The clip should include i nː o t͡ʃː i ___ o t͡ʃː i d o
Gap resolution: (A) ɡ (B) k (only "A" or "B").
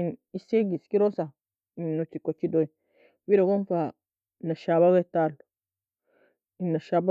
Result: B